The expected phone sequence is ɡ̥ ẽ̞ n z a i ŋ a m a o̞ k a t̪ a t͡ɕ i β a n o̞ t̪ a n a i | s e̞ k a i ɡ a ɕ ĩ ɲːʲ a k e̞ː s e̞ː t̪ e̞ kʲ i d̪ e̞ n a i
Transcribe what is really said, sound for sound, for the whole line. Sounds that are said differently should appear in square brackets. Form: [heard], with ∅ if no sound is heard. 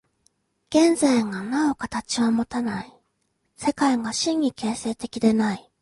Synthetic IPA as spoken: ɡ̥ ẽ̞ n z a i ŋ a [n] a o̞ k a t̪ a t͡ɕ i β a [m] o̞ t̪ a n a i | s e̞ k a i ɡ a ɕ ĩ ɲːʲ [i] k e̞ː s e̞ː t̪ e̞ kʲ i d̪ e̞ n a i